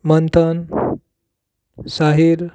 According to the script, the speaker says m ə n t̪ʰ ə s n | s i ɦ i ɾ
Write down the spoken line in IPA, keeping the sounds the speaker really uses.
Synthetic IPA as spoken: m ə n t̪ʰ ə n | s a ɦ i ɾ